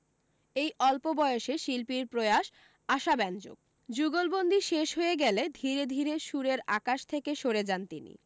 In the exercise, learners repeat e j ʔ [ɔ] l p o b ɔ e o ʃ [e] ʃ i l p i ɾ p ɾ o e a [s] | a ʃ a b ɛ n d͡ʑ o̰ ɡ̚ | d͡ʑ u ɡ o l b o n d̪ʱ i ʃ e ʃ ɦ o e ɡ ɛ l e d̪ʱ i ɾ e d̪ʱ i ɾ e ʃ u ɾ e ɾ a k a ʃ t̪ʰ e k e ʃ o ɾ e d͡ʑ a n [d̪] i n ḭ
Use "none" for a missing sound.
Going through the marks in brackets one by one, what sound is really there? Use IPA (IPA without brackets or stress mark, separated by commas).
ɔ, e, ʃ, t̪